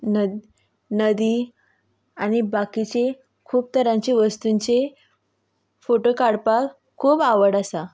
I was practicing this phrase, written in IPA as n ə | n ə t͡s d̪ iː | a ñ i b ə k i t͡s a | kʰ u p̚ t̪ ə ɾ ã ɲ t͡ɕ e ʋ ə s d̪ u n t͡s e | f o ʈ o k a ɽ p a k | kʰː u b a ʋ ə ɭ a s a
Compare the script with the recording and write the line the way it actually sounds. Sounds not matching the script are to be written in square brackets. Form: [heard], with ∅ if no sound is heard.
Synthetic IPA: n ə | n ə [∅] d̪ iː | a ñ i b [a] k i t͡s [e] | kʰ [uː] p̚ t̪ ə ɾ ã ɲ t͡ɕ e ʋ ə s [t̪] u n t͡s e | f o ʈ o k a ɽ p a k | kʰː [uː] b a ʋ ə [ɽ] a s a